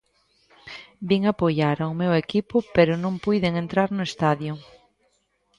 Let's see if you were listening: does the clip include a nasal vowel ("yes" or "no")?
yes